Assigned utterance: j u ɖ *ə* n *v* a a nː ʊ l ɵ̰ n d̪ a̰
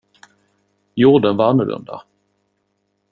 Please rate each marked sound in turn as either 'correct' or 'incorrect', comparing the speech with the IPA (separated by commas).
correct, correct